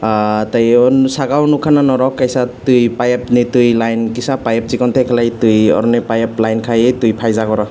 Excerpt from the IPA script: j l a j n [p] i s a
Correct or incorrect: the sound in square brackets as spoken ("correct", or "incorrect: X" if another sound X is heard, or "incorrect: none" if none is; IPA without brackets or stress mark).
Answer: incorrect: k